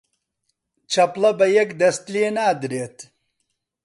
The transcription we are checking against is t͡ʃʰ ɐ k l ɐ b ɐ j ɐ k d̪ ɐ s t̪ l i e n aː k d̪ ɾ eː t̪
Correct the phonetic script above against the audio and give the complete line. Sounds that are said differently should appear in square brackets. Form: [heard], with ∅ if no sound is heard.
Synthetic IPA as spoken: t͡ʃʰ ɐ [p] l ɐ b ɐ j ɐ k d̪ ɐ s t̪ l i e n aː [∅] d̪ ɾ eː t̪